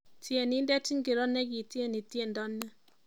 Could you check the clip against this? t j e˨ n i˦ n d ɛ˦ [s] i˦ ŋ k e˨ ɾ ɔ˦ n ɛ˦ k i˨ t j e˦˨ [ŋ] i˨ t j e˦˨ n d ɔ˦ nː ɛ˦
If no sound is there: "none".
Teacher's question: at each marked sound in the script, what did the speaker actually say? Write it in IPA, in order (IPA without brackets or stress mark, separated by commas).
t, n